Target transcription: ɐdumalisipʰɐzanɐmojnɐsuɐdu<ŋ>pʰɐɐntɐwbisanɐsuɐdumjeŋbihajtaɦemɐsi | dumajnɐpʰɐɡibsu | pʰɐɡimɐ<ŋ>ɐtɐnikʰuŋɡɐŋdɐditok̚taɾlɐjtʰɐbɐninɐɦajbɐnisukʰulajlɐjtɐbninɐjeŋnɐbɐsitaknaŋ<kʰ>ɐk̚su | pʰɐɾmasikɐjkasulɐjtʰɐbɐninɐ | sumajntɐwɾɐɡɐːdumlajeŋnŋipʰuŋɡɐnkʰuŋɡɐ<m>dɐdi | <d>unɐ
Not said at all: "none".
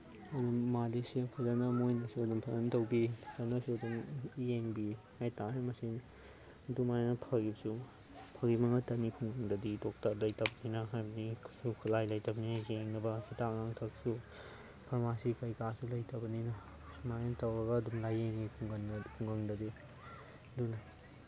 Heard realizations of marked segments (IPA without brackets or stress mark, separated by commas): m, ŋ, tʰ, ŋ, d